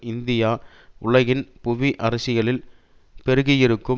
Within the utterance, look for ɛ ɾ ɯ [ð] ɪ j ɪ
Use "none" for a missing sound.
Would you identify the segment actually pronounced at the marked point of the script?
ɣ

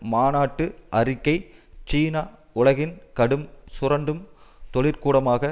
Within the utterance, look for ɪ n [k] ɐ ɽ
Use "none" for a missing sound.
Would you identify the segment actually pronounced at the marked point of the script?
k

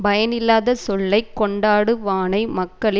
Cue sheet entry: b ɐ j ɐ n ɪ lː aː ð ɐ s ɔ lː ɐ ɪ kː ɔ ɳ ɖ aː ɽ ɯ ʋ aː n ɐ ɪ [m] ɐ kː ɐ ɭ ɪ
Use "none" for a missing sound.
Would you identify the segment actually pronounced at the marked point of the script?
m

